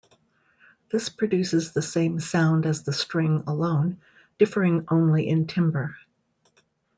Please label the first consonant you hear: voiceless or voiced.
voiced